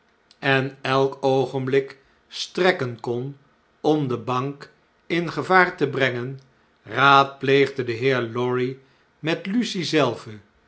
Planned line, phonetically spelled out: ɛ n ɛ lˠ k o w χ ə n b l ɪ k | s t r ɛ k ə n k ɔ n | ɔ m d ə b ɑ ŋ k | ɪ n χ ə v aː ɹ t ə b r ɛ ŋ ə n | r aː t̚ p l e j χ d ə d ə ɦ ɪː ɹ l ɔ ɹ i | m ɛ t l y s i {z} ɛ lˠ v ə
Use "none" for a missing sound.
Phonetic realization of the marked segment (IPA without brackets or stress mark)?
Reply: z